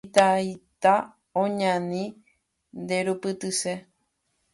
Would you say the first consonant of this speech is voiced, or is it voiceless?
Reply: voiceless